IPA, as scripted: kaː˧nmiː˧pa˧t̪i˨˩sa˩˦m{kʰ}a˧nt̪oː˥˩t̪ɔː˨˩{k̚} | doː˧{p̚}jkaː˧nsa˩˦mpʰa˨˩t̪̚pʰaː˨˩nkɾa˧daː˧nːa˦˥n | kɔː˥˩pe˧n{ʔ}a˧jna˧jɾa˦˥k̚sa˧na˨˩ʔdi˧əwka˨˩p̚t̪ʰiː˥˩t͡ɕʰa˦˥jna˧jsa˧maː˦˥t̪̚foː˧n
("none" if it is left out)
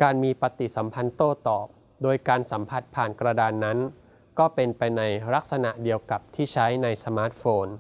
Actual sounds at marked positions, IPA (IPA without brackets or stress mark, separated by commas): pʰ, p̚, none, p